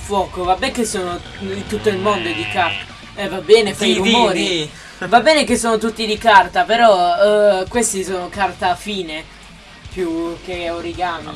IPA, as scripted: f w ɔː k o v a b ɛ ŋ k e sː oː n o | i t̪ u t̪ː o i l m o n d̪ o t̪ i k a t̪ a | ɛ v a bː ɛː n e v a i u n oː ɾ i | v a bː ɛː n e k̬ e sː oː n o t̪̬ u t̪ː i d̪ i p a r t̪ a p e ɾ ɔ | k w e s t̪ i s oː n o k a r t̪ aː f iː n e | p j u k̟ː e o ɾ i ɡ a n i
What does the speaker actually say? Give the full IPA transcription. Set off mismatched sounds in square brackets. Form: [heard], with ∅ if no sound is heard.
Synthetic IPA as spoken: f w ɔː k o v a b ɛ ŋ k e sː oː n o | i t̪ u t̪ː o i l m o n d̪ o [d̪] i k a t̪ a | ɛ v a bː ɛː n e [f] a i u [m] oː ɾ i | v a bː ɛː n e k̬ e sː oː n o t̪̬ u t̪ː i d̪ i [k] a r t̪ a p e ɾ ɔ | k w e s t̪ i s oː n o k a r t̪ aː f iː n e | p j u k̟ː e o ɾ i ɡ a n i